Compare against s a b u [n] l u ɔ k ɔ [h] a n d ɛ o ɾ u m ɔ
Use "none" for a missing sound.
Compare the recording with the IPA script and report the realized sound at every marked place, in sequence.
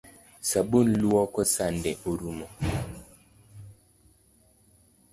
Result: n, s

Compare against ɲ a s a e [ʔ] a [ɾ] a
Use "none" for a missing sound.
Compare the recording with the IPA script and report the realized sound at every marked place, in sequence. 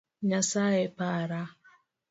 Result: p, ɾ

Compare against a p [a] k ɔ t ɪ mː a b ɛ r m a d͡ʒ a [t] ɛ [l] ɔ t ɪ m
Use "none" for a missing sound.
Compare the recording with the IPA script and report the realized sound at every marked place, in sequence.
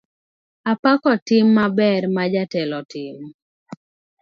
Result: a, t, l

